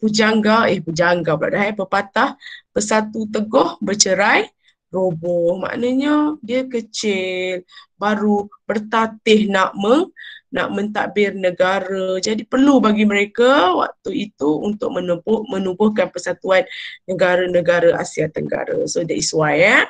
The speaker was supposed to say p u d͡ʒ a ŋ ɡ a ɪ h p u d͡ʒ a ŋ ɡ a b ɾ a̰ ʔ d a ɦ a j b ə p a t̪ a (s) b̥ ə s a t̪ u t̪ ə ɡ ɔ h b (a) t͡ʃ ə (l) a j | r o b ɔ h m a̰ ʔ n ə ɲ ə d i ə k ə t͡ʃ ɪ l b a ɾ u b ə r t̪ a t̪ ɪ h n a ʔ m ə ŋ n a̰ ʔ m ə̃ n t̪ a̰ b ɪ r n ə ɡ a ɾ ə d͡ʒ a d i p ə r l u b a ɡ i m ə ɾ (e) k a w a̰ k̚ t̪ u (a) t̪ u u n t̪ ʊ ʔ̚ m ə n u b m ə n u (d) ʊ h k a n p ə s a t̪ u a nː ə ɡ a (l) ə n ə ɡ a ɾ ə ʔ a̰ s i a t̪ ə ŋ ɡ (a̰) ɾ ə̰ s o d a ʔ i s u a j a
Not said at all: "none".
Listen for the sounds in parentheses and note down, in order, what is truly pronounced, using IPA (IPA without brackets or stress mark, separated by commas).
h, ə, ɾ, e, i, b, ɾ, a̰